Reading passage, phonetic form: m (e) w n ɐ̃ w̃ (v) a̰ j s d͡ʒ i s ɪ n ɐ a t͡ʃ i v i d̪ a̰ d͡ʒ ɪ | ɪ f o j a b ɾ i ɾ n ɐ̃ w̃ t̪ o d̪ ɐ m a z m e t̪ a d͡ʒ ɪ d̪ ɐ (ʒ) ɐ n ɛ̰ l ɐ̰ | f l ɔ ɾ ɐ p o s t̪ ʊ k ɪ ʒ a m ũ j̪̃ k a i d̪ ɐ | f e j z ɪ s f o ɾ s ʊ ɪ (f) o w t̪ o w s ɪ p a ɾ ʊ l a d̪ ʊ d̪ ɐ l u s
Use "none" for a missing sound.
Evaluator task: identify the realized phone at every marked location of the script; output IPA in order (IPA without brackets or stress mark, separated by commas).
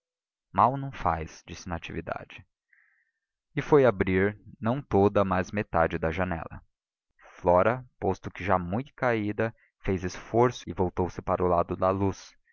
a, f, ʒ, v